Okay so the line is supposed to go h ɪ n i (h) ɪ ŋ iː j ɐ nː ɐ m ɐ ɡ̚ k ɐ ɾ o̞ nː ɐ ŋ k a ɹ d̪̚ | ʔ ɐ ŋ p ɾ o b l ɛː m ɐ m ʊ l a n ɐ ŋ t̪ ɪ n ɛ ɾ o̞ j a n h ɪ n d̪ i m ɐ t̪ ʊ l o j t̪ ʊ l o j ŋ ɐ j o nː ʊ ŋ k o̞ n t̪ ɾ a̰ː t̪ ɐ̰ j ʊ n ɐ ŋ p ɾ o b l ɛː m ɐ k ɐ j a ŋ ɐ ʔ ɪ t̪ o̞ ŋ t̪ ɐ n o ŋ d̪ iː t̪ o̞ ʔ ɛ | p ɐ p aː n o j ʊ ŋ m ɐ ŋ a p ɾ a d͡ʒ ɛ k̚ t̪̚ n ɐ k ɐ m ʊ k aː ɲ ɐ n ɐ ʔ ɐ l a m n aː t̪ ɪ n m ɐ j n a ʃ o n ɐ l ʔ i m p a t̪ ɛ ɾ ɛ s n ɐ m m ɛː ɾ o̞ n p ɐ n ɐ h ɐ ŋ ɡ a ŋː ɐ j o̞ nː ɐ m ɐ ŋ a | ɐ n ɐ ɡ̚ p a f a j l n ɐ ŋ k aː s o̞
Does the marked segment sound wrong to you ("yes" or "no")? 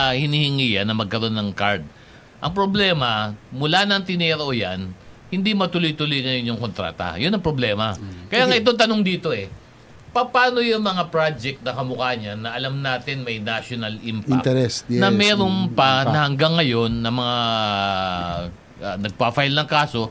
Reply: no